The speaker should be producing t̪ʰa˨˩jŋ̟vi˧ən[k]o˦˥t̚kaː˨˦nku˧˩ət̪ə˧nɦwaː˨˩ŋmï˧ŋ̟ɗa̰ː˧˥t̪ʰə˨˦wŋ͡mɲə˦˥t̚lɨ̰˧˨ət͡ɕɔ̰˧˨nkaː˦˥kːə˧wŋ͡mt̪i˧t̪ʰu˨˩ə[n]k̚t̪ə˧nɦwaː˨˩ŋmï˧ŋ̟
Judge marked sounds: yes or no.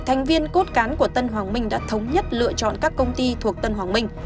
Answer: yes, no

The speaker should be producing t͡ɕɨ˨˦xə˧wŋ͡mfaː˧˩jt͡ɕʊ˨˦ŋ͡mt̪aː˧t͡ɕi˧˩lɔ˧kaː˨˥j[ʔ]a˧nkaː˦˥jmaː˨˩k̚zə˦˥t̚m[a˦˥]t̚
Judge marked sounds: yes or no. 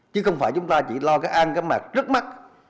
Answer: yes, yes

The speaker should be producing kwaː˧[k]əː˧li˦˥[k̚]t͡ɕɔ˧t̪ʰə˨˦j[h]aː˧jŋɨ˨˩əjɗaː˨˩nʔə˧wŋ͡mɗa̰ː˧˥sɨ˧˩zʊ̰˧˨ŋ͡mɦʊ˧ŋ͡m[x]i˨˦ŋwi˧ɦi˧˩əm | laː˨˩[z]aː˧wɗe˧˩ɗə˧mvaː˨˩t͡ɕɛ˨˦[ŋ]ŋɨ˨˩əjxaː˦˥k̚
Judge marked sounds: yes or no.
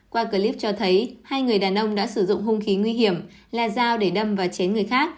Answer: yes, no, yes, yes, yes, no

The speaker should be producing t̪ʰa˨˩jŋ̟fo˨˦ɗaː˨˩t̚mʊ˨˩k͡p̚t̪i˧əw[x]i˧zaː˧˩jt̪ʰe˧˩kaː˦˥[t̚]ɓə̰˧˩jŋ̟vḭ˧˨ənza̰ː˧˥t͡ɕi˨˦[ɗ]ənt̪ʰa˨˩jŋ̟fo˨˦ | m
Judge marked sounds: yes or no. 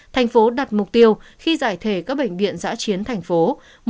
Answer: yes, no, no

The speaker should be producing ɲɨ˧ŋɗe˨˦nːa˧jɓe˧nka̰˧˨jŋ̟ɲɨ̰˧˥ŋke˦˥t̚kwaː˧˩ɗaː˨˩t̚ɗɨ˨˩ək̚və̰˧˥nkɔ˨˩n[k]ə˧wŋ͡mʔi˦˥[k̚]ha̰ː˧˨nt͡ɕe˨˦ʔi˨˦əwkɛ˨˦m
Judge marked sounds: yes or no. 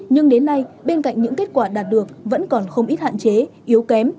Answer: no, no

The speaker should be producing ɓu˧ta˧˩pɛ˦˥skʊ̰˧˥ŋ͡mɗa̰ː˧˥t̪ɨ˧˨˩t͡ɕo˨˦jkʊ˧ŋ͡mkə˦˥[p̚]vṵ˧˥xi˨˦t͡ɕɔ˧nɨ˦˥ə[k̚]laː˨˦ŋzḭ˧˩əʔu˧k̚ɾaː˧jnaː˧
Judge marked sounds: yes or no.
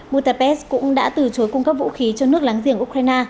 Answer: yes, yes

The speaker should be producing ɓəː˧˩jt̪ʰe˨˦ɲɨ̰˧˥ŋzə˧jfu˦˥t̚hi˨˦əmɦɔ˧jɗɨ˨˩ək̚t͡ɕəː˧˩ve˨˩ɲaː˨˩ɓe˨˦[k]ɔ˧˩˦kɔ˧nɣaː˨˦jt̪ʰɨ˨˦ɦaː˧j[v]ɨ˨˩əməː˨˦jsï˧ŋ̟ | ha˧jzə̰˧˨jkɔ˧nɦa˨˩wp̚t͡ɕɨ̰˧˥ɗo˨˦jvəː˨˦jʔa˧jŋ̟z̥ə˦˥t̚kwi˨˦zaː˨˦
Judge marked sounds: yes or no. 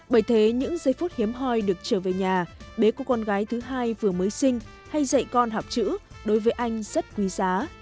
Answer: yes, yes

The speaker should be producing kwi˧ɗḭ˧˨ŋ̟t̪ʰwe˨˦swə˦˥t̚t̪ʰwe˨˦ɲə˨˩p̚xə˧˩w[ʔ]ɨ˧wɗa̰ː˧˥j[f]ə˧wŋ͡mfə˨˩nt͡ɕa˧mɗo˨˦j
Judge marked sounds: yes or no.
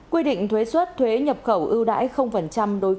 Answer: yes, no

